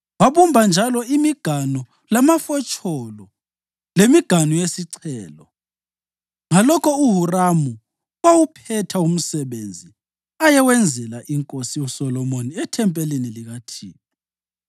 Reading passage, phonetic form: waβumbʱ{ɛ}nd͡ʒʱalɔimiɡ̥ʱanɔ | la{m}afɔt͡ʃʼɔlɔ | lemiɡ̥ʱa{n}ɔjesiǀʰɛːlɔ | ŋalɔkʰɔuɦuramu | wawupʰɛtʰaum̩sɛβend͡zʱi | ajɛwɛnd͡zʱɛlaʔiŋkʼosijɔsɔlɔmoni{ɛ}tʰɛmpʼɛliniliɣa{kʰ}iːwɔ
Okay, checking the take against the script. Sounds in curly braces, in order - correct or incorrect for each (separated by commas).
incorrect, correct, correct, correct, incorrect